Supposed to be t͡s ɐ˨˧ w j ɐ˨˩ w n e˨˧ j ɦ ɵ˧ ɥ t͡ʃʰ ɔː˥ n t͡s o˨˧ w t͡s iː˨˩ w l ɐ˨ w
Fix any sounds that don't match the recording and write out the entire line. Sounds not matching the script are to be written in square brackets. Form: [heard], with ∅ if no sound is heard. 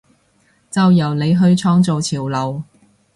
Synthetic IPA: t͡s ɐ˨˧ w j ɐ˨˩ w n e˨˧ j ɦ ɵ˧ ɥ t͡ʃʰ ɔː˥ [ŋ] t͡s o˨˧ w [t͡sʰ] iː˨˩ w l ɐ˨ w